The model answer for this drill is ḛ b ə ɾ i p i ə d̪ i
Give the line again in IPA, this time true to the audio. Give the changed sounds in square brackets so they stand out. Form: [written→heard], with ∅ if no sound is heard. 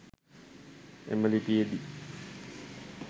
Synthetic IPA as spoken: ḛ [b→m] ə [ɾ→l] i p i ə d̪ i